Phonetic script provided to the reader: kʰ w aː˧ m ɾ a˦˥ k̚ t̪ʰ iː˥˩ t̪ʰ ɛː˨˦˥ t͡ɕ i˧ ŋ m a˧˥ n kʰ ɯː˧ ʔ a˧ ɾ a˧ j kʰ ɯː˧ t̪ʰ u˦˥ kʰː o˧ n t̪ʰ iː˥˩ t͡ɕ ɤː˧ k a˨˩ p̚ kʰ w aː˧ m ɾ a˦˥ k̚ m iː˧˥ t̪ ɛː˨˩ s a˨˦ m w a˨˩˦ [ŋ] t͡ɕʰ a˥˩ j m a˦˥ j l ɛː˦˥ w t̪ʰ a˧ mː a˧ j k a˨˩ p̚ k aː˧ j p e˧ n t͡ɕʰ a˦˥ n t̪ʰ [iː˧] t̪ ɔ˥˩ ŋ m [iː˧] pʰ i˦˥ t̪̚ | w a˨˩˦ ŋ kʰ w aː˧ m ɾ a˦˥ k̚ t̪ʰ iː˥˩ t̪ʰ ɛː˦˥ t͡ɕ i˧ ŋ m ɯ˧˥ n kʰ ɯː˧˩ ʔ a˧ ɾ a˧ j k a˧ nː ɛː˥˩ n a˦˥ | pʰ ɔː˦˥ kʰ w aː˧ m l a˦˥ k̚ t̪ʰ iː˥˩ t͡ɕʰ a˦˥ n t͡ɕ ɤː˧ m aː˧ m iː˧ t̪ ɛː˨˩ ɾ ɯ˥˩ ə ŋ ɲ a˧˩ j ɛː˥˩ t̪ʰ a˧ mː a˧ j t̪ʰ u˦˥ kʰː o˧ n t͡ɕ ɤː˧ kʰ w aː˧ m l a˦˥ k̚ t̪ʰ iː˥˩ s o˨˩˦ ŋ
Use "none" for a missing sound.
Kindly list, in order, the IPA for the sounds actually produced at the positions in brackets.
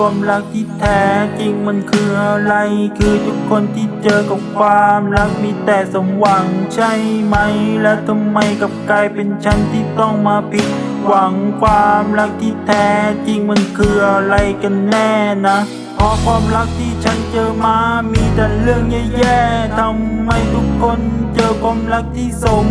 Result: ŋ, iː˥˩, aː˧

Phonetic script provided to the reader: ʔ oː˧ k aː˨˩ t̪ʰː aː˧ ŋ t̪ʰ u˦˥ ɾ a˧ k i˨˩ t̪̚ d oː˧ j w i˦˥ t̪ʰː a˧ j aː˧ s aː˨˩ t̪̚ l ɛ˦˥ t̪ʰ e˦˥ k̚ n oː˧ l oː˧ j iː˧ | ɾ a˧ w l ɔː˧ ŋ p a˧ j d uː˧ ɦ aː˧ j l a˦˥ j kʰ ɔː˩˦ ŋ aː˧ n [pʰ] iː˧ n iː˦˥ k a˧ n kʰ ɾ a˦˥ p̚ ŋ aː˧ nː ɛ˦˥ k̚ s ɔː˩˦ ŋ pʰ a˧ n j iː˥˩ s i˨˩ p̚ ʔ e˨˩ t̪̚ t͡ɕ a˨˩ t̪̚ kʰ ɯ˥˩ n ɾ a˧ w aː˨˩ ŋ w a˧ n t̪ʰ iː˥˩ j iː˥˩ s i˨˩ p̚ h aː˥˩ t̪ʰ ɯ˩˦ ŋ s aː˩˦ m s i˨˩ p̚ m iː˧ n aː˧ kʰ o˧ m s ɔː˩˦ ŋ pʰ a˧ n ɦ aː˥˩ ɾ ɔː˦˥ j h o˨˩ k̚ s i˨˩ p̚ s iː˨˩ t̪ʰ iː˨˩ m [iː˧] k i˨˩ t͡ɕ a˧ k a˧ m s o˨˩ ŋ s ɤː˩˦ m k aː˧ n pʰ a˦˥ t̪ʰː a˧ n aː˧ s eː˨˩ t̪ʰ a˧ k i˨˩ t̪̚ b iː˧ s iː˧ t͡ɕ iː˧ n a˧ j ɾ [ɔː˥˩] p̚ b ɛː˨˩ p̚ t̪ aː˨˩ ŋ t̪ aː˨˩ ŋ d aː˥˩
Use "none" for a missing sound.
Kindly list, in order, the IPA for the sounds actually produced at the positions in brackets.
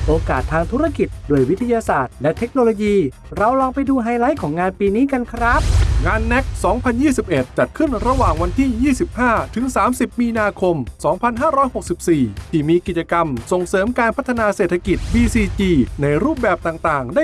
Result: p, iː˧, uː˥˩

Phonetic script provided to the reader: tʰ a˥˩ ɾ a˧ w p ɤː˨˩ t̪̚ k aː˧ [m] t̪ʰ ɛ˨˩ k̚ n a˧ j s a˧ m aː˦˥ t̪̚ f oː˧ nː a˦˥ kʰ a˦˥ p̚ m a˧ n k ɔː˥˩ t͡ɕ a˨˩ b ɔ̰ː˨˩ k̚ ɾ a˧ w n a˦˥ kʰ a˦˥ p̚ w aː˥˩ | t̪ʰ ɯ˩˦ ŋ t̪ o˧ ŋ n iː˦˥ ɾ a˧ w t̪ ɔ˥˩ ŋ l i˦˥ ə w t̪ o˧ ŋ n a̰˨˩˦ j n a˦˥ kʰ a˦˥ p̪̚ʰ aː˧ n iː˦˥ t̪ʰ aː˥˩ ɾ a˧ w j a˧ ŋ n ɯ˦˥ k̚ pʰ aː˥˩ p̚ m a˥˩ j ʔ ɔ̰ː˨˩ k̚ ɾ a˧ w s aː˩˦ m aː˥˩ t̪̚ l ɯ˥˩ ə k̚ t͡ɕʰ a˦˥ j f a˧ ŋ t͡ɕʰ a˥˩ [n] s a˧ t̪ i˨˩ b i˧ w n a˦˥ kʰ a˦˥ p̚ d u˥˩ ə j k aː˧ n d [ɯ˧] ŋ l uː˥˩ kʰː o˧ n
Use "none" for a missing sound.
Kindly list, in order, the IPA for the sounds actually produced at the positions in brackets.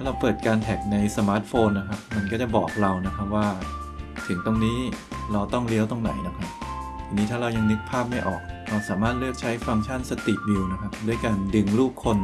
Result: n, n, ɯ˧

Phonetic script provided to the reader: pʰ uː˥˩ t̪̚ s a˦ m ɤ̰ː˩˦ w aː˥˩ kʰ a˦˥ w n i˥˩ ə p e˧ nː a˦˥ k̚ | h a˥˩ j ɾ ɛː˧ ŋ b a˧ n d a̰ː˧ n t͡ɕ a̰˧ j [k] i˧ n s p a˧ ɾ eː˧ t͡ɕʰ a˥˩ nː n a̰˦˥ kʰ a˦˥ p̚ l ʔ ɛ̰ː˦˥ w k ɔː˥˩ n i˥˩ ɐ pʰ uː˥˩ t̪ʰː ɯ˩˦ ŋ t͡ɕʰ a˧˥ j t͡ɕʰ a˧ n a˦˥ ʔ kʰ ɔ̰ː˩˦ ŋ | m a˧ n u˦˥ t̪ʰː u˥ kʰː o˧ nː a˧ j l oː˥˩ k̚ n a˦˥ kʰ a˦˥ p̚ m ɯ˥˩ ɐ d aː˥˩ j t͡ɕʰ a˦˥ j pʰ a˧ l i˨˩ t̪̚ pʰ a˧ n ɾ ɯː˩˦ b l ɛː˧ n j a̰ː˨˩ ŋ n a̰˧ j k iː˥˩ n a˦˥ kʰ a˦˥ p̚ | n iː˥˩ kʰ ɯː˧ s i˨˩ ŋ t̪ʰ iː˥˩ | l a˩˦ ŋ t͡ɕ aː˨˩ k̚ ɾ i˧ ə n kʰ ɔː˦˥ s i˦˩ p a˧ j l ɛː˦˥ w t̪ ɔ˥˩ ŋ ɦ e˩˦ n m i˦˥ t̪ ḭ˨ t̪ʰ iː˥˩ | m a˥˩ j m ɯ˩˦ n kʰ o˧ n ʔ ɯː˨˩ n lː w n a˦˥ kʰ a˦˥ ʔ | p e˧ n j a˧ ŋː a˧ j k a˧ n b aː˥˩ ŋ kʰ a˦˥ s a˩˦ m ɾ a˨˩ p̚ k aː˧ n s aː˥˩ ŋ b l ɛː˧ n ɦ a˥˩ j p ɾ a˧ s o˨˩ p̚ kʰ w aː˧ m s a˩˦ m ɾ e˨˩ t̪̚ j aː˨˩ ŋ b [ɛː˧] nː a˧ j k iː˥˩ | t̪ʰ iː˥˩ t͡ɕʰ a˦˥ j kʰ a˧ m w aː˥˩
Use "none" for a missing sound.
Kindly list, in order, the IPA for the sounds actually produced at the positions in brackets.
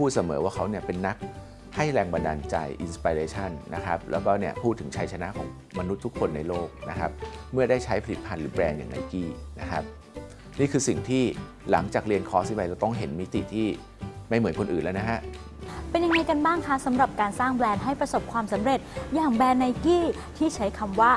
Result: ʔ, ɛː˧

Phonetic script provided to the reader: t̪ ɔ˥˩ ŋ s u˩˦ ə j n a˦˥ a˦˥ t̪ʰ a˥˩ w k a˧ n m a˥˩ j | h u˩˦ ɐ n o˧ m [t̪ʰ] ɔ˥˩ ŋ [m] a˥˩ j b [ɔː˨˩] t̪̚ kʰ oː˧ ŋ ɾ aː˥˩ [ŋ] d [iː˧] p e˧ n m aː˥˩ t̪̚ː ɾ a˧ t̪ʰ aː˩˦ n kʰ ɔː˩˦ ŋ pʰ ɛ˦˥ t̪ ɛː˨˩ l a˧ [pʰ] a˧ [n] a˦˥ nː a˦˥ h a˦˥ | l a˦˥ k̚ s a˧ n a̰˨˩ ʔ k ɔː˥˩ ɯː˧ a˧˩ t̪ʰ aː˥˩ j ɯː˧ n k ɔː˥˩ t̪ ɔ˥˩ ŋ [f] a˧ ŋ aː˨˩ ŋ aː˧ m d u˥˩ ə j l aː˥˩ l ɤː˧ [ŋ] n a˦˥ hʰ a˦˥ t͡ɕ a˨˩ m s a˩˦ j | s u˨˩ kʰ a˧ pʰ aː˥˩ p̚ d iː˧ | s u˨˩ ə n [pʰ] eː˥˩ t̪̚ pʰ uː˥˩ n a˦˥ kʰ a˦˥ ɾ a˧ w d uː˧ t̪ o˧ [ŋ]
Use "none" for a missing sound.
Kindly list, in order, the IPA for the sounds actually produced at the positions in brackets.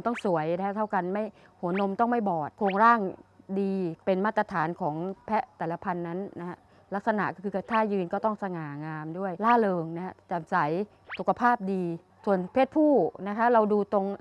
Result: t̪, m, ɔː˨˩, ŋ, iː˧, pʰ, nː, s, ŋ, pʰ, ŋ

